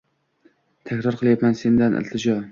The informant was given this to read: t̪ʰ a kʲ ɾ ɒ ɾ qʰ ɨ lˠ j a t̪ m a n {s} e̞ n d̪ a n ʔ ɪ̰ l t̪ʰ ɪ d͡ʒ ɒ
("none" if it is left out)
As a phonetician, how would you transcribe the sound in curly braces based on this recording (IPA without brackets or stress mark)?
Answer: s